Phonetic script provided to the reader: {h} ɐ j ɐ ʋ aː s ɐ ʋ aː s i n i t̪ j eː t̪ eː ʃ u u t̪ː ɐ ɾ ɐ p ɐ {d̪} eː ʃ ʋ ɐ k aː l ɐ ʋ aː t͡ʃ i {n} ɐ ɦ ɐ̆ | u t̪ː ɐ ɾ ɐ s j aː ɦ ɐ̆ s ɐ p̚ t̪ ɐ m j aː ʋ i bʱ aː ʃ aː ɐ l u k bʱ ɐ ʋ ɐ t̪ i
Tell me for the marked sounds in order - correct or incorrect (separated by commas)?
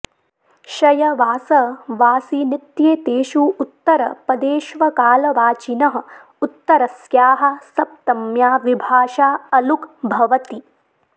incorrect, correct, correct